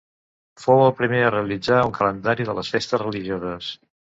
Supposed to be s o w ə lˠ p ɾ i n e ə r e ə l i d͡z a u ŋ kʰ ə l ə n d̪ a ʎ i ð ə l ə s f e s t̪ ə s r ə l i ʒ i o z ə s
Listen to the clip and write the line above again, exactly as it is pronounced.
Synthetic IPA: f o w ə lˠ p ɾ i m e ə r e ə l i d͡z a u ŋ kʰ ə l ə n d̪ a ɾ i ð ə l ə s f e s t̪ ə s r ə l i ʒ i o z ə s